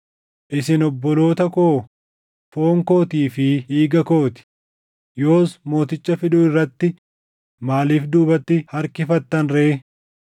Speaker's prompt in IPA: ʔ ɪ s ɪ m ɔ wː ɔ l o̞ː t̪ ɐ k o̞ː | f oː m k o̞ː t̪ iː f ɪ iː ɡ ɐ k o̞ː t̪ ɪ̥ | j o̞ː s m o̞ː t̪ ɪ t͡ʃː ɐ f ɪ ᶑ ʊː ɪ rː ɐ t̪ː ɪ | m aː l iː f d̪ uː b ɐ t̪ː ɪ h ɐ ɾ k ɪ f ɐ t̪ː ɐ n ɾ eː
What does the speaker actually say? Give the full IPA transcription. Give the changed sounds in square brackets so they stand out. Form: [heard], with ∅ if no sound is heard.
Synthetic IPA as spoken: ʔ ɪ s ɪ [n] ɔ [bː] ɔ l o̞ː t̪ ɐ k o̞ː | f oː [ŋ] k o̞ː t̪ iː f ɪ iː ɡ ɐ k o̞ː t̪ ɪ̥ | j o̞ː s m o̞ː t̪ ɪ t͡ʃː ɐ f ɪ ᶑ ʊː ɪ rː ɐ t̪ː ɪ | m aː l iː f d̪ uː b ɐ t̪ː ɪ h ɐ ɾ k ɪ f ɐ t̪ː ɐ n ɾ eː